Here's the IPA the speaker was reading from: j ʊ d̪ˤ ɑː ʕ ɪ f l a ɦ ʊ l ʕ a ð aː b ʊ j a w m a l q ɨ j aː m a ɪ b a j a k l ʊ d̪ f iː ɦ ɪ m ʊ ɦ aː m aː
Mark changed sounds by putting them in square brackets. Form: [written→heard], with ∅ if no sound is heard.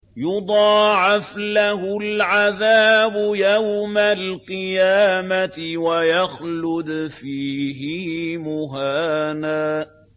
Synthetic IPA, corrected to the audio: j ʊ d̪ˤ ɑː ʕ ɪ f l a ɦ ʊ l ʕ a ð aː b ʊ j a w m a l q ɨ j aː m a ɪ [b→w] a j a [k→x] l ʊ d̪ f iː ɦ ɪ m ʊ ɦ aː [m→n] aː

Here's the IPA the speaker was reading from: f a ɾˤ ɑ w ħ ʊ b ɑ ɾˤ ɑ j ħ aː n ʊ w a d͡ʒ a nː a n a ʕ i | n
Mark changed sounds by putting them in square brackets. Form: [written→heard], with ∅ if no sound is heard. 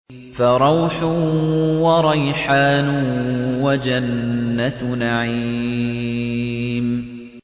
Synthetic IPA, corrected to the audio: f a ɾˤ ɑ w ħ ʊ [b→w] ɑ ɾˤ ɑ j ħ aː n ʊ w a d͡ʒ a nː a n a ʕ i | [n→m]

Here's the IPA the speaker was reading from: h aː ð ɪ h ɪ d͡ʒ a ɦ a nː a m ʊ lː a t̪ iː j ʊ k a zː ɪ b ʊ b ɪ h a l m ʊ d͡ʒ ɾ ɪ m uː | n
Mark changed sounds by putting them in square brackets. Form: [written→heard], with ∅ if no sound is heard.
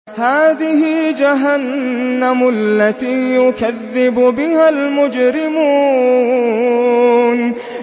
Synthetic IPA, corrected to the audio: h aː ð ɪ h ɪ d͡ʒ a ɦ a nː a m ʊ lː a t̪ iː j ʊ k a [zː→ðː] ɪ b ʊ b ɪ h a l m ʊ d͡ʒ ɾ ɪ m uː | n

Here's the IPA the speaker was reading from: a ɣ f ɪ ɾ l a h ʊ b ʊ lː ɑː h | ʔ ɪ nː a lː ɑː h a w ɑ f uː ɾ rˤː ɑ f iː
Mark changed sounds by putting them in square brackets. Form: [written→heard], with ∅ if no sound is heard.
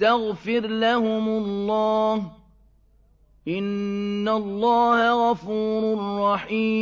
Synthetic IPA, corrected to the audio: a ɣ f ɪ ɾ l a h ʊ [b→m] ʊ lː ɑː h | ʔ ɪ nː a lː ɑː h a [w→ɣ] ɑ f uː ɾ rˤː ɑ [f→ħ] iː

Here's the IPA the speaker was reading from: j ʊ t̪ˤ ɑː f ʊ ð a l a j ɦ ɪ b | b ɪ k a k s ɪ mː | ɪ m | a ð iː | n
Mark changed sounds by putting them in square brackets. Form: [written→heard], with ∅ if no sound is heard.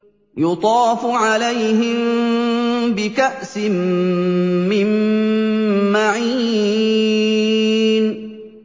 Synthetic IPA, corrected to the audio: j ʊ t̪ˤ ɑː f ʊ [ð→ʕ] a l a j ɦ ɪ [b→m] | b ɪ k a [k→ʔ] s ɪ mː | ɪ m | a [ð→ʕ] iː | n

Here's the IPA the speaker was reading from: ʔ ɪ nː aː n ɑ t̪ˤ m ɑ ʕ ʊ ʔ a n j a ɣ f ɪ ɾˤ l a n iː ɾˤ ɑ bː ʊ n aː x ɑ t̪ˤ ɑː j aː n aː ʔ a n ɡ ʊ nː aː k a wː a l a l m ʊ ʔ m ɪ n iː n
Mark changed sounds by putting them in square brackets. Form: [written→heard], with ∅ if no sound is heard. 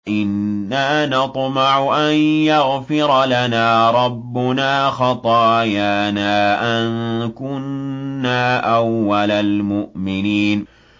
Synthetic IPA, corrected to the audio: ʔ ɪ nː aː n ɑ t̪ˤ m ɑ ʕ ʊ ʔ a n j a ɣ f ɪ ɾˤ l a n [iː→aː] ɾˤ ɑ bː ʊ n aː x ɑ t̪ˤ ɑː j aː n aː ʔ a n [ɡ→k] ʊ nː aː [k→ʔ] a wː a l a l m ʊ ʔ m ɪ n iː n

